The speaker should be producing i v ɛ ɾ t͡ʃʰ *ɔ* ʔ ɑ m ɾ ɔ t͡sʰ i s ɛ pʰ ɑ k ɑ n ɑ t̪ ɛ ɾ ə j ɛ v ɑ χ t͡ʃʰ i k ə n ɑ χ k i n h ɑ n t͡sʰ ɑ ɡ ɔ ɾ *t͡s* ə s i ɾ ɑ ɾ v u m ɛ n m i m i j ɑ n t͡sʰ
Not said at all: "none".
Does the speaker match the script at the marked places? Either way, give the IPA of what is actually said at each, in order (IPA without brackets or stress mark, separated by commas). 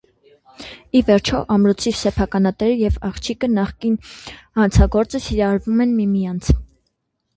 ɔ, t͡s